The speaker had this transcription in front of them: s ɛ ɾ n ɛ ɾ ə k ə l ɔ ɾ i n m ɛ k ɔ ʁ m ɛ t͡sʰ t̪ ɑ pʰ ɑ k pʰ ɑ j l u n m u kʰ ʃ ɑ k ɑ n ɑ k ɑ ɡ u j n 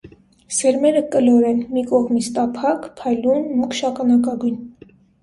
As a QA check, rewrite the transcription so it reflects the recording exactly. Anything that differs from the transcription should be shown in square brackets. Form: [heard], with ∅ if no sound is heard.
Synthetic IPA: s ɛ ɾ [m] ɛ ɾ ə k ə l ɔ ɾ [ɛ] n m [i] k ɔ ʁ m [i] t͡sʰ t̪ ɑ pʰ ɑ k pʰ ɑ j l u n m u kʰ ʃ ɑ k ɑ n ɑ k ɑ ɡ u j n